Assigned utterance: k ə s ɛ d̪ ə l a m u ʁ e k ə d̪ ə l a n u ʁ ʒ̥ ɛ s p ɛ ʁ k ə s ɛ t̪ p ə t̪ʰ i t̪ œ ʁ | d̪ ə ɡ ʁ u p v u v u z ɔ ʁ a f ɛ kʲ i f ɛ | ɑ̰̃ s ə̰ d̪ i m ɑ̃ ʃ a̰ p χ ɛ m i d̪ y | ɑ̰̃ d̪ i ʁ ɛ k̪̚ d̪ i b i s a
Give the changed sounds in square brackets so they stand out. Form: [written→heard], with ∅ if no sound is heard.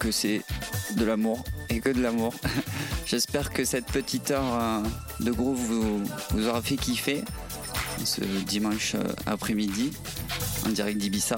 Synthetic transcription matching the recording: k ə s ɛ d̪ ə l a m u ʁ e k ə d̪ ə l a [n→m] u ʁ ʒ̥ ɛ s p ɛ ʁ k ə s ɛ t̪ p ə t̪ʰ i t̪ œ ʁ | d̪ ə ɡ ʁ u p v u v u z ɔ ʁ a f ɛ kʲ i f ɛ | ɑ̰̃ s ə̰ d̪ i m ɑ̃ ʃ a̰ p χ ɛ m i d̪ [y→i] | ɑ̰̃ d̪ i ʁ ɛ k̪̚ d̪ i b i s a